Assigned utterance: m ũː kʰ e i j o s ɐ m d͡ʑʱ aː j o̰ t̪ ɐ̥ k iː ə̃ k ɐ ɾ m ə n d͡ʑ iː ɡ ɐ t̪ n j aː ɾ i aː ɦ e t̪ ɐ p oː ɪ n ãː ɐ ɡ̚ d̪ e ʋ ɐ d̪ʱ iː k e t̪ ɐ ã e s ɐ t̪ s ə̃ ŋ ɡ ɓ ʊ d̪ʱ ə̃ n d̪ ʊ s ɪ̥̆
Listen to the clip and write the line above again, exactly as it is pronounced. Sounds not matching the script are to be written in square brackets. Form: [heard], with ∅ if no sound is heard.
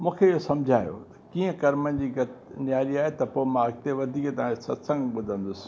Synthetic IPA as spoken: m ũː kʰ e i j o s ɐ m d͡ʑʱ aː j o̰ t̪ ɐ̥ k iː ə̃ k ɐ ɾ m ə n d͡ʑ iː ɡ ɐ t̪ n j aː ɾ i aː ɦ e t̪ ɐ p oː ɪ [m] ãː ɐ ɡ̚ [t̪] e ʋ ɐ d̪ʱ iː k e t̪ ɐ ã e s ɐ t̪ s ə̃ ŋ ɡ ɓ ʊ d̪ʱ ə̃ n d̪ ʊ s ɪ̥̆